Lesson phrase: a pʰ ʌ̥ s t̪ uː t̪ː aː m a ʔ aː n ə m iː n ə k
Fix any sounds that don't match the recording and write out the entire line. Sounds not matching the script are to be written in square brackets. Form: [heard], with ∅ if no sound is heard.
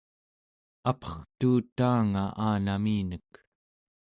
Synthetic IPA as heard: a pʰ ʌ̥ [χ] t̪ uː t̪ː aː [ŋ] a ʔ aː n [a] m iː n ə k